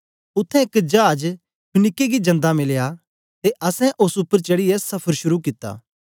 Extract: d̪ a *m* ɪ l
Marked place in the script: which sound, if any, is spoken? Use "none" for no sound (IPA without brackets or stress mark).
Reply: m